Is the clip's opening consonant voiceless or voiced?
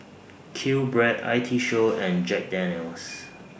voiceless